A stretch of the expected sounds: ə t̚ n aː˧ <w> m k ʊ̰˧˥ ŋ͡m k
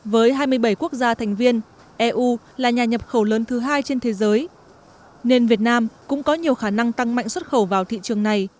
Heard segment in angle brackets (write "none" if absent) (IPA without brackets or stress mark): none